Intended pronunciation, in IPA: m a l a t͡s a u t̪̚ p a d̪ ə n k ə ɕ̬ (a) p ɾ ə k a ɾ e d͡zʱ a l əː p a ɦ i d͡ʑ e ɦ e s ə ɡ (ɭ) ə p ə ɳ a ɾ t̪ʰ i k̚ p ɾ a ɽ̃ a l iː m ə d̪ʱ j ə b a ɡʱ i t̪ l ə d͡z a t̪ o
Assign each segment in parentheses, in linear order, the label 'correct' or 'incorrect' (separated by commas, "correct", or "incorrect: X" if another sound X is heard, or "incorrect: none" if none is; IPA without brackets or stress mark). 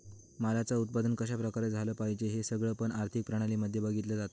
correct, correct